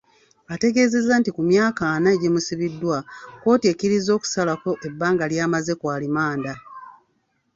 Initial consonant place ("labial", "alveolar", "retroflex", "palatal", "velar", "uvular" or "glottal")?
alveolar